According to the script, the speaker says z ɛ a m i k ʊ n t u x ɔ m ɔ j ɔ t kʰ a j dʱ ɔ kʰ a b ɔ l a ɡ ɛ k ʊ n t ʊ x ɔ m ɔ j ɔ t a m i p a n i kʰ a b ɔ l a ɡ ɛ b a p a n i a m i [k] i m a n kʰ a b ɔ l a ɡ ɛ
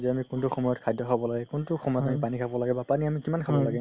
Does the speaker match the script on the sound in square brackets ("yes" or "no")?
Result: yes